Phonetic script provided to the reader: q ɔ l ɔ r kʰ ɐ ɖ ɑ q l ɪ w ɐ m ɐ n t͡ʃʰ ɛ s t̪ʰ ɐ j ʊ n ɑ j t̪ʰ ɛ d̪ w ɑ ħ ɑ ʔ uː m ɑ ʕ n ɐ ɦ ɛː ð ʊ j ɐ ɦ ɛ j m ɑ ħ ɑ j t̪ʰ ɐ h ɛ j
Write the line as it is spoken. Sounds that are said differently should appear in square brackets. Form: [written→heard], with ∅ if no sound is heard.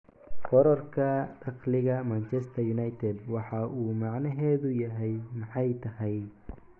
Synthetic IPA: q ɔ [l→ɾ] ɔ r kʰ ɐ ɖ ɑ q l ɪ [w→ɣ] ɐ m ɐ n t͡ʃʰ ɛ s t̪ʰ ɐ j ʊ n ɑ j t̪ʰ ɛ d̪ w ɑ ħ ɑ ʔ uː m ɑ ʕ n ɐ ɦ ɛː ð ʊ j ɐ ɦ ɛ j m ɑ ħ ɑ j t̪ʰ ɐ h ɛ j